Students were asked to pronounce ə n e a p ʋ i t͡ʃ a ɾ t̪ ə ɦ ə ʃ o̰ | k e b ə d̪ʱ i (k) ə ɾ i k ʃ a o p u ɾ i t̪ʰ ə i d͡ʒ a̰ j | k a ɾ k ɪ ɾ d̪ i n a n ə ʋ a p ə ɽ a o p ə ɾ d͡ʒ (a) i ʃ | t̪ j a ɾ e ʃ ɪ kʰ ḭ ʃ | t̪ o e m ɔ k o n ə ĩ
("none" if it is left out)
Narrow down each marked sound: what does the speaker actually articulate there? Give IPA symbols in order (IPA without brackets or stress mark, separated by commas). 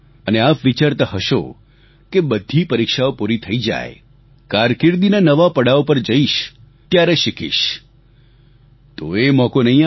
p, ə